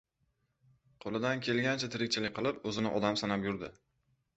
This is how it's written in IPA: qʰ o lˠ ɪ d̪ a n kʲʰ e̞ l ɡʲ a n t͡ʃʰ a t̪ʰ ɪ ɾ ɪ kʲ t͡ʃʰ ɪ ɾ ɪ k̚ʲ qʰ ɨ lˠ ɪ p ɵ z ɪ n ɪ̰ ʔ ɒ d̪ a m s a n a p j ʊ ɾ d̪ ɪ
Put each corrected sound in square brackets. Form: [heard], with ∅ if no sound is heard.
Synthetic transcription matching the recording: qʰ o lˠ ɪ d̪ a n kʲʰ e̞ l ɡʲ a n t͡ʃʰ a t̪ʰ ɪ ɾ ɪ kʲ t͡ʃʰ ɪ [l] ɪ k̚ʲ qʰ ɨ lˠ ɪ p ɵ z ɪ n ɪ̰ ʔ ɒ d̪ a m s a n a p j ʊ ɾ d̪ ɪ

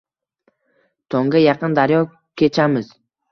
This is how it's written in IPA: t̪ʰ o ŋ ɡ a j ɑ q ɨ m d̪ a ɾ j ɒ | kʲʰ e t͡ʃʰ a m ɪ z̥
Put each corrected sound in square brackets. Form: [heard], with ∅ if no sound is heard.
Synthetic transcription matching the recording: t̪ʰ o ŋ ɡ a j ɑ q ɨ [n] d̪ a ɾ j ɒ | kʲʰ e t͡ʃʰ a m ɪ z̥

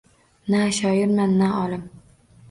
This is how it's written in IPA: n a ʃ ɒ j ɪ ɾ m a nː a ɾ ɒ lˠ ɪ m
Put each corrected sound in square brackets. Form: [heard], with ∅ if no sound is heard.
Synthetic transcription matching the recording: n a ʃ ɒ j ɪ ɾ m a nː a [∅] ɒ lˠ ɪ m

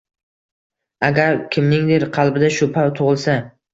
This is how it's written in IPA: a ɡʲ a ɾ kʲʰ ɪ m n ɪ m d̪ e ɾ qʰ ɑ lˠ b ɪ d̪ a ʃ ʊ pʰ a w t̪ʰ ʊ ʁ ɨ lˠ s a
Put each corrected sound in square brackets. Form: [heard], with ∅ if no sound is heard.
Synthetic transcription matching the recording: a ɡʲ a ɾ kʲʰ ɪ m n ɪ [ŋ] d̪ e ɾ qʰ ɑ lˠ b ɪ d̪ a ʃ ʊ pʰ a w t̪ʰ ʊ ʁ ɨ lˠ s a

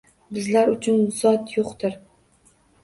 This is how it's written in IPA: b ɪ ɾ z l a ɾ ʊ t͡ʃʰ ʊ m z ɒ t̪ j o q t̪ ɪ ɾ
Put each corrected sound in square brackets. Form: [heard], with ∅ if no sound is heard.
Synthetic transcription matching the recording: b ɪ [∅] z l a ɾ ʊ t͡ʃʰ ʊ [n] z ɒ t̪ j o q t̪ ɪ ɾ

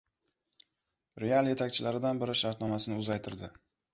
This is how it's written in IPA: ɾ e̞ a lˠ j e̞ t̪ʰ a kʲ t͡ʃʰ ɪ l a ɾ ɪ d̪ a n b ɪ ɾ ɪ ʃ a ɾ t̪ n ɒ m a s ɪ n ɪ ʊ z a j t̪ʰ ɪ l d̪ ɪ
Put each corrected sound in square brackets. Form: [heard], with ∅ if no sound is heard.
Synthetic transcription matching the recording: ɾ e̞ a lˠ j e̞ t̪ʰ a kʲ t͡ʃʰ ɪ l a ɾ ɪ d̪ a n b ɪ ɾ ɪ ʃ a ɾ t̪ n ɒ m a s ɪ n ɪ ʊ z a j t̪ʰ ɪ [ɾ] d̪ ɪ

